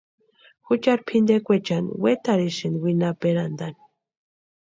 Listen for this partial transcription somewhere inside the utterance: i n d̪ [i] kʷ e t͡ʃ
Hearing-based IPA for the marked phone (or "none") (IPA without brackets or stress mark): e